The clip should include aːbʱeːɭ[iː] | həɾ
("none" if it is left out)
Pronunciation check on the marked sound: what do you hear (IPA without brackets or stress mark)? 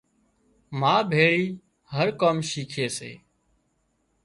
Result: iː